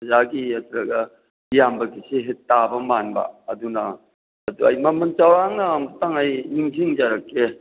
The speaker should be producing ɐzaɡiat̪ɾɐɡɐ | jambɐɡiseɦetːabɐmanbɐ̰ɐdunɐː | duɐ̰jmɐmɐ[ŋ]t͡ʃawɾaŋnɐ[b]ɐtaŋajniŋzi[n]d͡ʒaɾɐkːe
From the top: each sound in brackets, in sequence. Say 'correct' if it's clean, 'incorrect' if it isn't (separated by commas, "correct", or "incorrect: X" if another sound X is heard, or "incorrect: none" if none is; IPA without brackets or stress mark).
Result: incorrect: n, incorrect: m, incorrect: ŋ